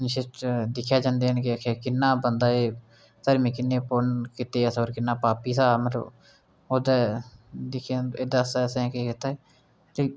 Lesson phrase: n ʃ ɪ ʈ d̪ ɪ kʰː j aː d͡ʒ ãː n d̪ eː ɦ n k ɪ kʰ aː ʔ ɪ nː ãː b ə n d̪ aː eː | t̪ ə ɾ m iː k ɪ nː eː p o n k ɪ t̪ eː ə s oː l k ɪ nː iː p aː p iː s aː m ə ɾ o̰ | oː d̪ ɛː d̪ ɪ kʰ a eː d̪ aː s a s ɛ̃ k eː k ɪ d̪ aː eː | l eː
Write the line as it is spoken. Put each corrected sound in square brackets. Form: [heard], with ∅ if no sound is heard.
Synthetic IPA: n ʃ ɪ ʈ d̪ ɪ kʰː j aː d͡ʒ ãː n d̪ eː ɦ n k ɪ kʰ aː [k] ɪ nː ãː b ə n d̪ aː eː | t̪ ə ɾ m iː k ɪ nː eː p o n k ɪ t̪ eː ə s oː [ɾ] k ɪ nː [aː] p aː p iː s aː m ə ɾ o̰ | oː d̪ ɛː d̪ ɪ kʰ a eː d̪ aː s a s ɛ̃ k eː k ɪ [t̪] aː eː | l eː